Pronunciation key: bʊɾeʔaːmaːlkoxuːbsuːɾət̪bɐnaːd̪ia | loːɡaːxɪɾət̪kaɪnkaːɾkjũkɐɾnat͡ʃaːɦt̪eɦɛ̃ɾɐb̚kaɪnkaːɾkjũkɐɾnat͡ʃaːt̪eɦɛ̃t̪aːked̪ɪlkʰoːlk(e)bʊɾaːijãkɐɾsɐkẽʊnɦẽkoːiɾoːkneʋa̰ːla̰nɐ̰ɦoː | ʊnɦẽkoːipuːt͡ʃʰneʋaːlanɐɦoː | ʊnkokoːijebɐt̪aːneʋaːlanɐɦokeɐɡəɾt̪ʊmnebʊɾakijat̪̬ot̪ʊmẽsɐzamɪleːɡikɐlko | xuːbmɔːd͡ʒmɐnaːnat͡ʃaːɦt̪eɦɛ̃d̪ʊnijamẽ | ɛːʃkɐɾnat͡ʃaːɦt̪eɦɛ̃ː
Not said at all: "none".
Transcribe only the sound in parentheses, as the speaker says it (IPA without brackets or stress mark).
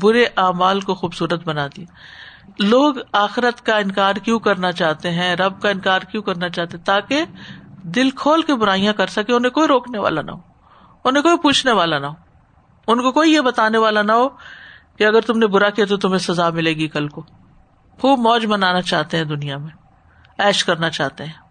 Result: e